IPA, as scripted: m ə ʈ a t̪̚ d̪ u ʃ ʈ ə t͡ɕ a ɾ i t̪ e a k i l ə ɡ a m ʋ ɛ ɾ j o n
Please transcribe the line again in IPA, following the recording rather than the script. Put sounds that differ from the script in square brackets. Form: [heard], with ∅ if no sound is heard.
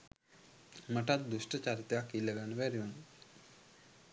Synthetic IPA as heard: m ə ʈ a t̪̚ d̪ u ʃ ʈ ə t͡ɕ a ɾ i t̪ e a k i l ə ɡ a [n] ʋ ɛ ɾ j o n